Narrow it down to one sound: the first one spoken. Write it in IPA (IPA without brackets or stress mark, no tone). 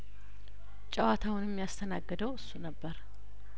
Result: t͡ʃʼ